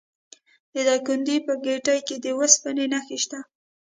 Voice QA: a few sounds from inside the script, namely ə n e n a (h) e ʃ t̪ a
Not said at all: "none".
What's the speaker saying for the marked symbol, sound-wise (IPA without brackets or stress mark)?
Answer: x